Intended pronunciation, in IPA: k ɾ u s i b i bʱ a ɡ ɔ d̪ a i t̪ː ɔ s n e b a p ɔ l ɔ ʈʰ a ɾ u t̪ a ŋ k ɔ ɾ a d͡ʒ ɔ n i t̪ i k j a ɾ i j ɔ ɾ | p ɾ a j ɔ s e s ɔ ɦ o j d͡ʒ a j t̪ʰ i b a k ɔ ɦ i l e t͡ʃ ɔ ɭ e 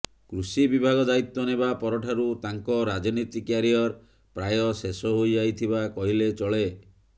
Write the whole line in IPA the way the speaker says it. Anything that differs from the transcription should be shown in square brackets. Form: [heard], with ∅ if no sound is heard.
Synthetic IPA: k ɾ u s i b i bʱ a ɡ ɔ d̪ a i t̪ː ɔ [∅] n e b a p ɔ [ɾ] ɔ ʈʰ a ɾ u t̪ a ŋ k ɔ ɾ a d͡ʒ ɔ n i t̪ i k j a ɾ i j ɔ ɾ | p ɾ a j ɔ s e s ɔ ɦ o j d͡ʒ a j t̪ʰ i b a k ɔ ɦ i l e t͡ʃ ɔ ɭ e